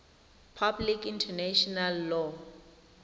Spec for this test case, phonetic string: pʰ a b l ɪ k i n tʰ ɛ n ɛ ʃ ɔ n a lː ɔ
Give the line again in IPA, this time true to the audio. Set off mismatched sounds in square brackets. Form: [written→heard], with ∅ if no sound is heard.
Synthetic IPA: pʰ a b l [ɪ→i] k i n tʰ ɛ n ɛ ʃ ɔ n a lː ɔ